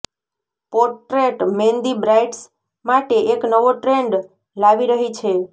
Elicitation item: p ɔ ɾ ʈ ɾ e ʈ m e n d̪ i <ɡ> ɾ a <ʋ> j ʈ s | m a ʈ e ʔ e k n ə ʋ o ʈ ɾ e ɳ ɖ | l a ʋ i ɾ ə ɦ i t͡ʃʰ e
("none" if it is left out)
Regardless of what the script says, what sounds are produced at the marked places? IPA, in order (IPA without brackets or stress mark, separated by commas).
b, none